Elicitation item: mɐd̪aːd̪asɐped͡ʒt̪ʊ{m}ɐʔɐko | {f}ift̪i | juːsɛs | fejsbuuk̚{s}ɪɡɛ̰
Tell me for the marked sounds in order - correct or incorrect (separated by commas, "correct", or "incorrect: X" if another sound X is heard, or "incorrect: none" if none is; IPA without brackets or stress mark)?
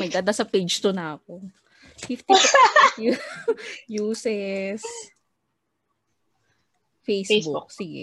incorrect: n, correct, correct